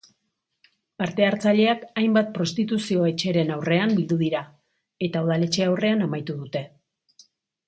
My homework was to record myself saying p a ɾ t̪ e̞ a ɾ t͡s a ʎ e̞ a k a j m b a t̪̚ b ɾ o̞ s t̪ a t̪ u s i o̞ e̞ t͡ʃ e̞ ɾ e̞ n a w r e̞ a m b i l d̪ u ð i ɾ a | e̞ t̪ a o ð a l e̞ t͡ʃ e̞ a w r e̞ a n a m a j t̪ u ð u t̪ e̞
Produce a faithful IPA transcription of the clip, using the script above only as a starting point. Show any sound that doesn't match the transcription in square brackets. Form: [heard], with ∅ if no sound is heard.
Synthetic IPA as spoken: p a ɾ t̪ e̞ a ɾ t͡s a ʎ e̞ a k a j m b a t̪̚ [p] ɾ o̞ s t̪ [i] t̪ u s i o̞ e̞ t͡ʃ e̞ ɾ e̞ n a w r e̞ a m b i l d̪ u ð i ɾ a | e̞ t̪ a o ð a l e̞ t͡ʃ e̞ a w r e̞ a n a m a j t̪ u ð u t̪ e̞